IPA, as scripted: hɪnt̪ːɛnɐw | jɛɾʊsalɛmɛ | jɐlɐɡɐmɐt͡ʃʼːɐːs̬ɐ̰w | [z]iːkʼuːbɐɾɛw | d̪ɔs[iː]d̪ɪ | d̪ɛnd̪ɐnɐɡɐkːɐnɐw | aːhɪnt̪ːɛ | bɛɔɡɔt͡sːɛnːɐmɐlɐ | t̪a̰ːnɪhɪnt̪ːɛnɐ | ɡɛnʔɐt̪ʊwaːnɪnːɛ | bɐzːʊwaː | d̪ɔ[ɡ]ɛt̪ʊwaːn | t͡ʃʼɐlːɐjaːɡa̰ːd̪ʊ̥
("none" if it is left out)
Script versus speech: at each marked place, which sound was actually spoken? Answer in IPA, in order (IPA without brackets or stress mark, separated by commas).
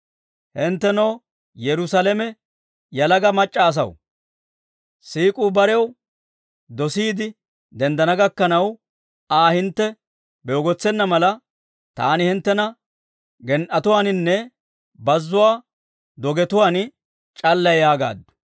s, iː, ɡ